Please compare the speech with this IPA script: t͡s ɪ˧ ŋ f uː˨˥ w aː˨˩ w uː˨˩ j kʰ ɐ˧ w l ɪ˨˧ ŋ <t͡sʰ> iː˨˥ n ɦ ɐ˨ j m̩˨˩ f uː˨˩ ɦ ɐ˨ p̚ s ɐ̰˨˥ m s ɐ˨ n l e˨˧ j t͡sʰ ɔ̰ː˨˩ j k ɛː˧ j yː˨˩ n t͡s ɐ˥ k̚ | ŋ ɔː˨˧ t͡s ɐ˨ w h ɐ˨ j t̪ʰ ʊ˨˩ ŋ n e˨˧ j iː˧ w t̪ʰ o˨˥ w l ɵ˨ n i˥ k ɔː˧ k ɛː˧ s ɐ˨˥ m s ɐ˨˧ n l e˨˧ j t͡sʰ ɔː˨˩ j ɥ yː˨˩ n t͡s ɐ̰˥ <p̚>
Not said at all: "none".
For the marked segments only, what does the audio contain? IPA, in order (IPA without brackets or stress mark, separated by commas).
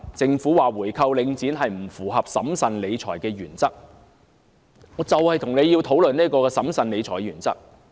t͡s, k̚